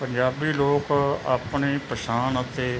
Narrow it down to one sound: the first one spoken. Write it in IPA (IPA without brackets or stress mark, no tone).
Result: p